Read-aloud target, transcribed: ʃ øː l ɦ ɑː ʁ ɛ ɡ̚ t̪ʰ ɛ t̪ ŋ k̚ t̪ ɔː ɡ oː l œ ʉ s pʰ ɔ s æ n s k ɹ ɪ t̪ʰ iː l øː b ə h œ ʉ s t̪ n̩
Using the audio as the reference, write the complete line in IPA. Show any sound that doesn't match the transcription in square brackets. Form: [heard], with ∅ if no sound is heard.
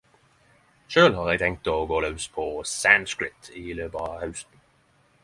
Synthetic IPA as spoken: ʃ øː l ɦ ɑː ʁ ɛ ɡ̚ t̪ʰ ɛ [∅] ŋ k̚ t̪ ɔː ɡ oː l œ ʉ s pʰ ɔ s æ n s k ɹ ɪ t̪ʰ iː l øː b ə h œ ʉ s t̪ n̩